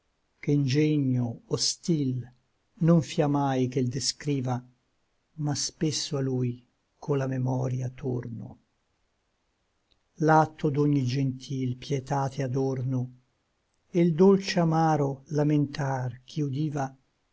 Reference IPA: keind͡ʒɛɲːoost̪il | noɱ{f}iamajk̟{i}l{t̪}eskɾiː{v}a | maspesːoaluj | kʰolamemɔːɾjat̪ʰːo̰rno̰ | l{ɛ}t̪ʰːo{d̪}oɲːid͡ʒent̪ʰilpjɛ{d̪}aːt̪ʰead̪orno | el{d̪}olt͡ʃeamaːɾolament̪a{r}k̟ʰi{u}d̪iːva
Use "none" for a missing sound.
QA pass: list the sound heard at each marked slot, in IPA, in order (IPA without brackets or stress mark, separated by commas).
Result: f, e, d̪, v, a, d̪, t̪, d̪, r, u